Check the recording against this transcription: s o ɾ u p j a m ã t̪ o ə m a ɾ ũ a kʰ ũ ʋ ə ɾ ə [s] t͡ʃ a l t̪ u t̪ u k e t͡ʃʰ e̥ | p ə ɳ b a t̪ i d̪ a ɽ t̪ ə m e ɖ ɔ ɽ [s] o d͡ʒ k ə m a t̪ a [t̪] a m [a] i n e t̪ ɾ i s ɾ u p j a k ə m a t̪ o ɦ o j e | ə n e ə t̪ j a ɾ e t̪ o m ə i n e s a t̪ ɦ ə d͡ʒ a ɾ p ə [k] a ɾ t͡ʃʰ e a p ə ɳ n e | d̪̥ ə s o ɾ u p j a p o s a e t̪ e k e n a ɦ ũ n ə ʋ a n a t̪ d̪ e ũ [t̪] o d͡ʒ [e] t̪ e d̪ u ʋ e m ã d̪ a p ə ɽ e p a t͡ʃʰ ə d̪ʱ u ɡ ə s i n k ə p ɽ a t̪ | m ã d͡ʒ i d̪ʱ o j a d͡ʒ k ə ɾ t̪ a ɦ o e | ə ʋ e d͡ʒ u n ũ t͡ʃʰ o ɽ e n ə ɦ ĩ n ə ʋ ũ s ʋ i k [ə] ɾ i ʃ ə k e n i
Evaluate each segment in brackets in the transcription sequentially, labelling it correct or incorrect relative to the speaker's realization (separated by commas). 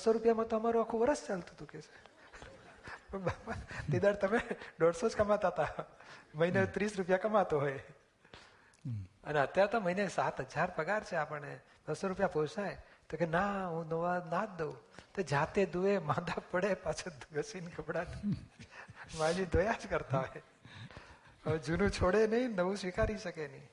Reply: correct, correct, correct, incorrect, incorrect, correct, incorrect, incorrect